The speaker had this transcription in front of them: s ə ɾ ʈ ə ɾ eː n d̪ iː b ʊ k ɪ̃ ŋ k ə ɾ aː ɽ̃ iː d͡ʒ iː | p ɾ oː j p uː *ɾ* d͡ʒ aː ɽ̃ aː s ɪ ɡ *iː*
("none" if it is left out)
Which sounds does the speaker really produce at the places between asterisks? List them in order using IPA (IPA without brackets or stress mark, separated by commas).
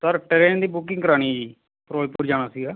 ɾ, aː